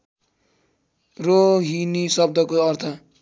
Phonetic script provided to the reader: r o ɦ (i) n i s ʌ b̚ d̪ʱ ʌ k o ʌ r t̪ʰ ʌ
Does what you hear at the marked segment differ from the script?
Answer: no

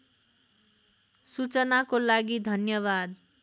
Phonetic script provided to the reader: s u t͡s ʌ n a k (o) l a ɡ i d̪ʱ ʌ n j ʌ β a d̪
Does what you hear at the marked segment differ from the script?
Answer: no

